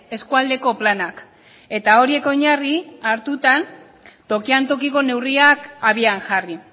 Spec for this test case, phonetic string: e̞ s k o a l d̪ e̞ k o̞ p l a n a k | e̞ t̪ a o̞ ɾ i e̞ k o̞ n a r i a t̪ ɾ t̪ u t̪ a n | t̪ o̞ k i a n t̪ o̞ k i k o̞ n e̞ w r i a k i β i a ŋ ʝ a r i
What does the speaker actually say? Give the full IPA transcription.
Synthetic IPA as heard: e̞ s k u a l d̪ e̞ k o̞ p l a n a k | e̞ t̪ a o̞ ɾ i e̞ k o̞ ɲ a r i a ɾ t̪ u t̪ a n | t̪ o̞ k i a n t̪ o̞ k i k o̞ n e̞ w r i a k a β i a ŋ ʝ a r i